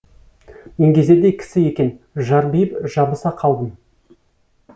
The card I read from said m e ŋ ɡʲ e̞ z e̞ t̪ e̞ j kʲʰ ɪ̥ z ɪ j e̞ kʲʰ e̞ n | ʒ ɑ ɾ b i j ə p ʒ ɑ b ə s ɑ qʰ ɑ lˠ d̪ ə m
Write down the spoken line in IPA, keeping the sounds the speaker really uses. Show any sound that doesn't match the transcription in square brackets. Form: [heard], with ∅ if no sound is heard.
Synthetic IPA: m e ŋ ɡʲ e̞ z e̞ [d̪] e̞ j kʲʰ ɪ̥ [s] ɪ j e̞ [kʲ] e̞ n | ʒ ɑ ɾ b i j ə p ʒ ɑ b ə s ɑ qʰ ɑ lˠ d̪ ə m